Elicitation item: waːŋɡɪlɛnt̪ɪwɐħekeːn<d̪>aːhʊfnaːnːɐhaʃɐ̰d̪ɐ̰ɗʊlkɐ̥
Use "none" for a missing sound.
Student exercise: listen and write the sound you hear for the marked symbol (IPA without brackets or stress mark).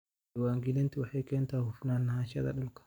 t̪